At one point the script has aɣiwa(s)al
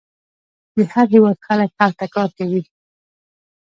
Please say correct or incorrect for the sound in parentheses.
incorrect